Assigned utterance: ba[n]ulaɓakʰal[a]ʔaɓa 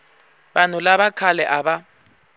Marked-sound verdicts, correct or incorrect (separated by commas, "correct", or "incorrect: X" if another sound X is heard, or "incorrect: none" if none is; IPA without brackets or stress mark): correct, incorrect: ɛ